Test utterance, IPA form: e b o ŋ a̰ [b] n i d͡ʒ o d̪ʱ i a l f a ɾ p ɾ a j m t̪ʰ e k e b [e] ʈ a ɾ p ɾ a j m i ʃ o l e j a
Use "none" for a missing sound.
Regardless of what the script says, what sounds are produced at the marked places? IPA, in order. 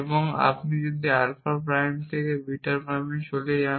p, i

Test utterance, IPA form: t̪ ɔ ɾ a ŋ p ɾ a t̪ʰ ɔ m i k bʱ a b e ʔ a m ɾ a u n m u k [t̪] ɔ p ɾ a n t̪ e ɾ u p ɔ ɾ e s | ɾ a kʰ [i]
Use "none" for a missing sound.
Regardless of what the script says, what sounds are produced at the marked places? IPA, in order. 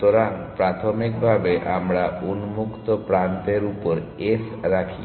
t̪, i

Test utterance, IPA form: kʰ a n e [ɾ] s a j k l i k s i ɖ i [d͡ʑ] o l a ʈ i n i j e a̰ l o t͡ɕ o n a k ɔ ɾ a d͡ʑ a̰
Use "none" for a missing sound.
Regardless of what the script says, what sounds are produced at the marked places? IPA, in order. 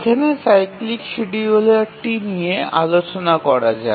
none, none

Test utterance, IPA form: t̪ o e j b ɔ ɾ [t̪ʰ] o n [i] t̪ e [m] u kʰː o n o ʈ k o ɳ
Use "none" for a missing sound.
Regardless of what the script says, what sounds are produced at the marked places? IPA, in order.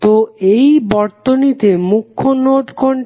t̪, i, m

